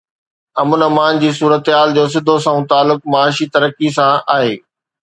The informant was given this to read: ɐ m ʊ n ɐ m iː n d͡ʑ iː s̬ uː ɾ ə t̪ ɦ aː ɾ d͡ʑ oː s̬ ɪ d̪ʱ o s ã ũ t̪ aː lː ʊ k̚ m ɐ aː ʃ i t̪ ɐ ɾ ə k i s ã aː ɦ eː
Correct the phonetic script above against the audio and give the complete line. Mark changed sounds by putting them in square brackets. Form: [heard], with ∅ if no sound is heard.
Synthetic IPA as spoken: ɐ m ʊ n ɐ m [aː] n d͡ʑ iː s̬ uː ɾ ə t̪ ɦ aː [l] d͡ʑ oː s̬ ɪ d̪ʱ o s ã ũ t̪ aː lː ʊ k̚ m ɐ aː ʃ i t̪ ɐ ɾ ə k i s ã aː ɦ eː